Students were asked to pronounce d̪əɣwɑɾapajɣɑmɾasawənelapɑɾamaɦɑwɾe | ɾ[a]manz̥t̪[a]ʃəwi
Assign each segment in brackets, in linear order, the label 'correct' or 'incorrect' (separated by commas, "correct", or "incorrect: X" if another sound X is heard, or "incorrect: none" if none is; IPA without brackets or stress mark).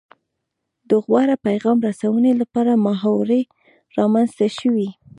incorrect: ɑ, correct